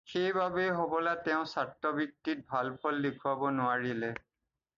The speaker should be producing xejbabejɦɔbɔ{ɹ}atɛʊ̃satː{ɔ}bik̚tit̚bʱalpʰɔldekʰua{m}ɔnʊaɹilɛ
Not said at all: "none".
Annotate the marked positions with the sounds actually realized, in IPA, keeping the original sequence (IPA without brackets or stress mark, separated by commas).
l, ɔ, b